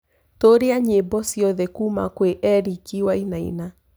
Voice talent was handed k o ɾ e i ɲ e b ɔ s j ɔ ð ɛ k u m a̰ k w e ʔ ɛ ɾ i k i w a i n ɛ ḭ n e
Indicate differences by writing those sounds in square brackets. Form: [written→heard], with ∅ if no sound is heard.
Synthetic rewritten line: [k→t] o ɾ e [i→a] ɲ e b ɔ s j ɔ ð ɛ k u m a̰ k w e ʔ ɛ ɾ i k i w a i n [ɛ→a] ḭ n [e→a]